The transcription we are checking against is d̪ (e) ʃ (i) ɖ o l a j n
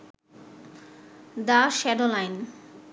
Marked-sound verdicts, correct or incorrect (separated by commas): incorrect, incorrect